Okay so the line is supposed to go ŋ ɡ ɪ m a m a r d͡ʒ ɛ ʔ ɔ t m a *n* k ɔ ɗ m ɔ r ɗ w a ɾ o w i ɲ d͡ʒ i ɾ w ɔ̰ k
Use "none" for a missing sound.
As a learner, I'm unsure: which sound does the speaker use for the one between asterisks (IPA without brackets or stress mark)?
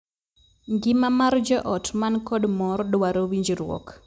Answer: n